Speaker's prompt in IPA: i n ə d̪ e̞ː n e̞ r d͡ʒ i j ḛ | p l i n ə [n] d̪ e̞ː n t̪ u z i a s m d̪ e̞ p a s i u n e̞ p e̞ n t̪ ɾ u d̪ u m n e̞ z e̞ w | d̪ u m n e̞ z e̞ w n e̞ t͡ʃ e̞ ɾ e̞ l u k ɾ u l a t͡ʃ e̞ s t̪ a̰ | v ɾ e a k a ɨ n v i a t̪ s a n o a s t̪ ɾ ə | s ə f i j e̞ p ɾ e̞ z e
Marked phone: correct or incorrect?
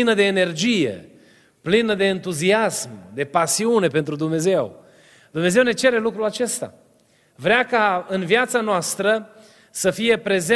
incorrect